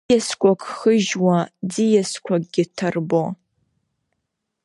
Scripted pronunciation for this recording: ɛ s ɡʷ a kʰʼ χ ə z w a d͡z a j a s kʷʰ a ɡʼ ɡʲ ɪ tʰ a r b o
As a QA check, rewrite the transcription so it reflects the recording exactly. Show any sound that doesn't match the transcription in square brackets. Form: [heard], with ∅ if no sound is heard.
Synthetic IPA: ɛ s [kʷ] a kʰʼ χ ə [ʒ] w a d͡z [i] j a s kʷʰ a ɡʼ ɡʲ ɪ tʰ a r b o